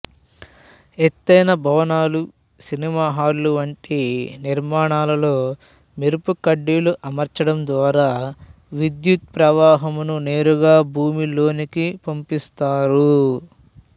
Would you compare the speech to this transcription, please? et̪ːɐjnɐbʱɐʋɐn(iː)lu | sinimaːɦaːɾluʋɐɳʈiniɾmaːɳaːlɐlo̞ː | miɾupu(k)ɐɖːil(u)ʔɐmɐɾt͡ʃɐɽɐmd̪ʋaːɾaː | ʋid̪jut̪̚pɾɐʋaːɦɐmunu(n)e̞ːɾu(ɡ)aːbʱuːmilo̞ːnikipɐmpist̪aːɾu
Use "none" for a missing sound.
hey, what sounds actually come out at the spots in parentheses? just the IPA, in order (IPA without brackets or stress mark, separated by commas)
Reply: aː, k, u, n, ɡ